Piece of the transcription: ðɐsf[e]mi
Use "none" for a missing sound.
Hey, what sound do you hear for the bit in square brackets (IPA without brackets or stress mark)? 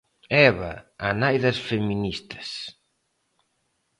e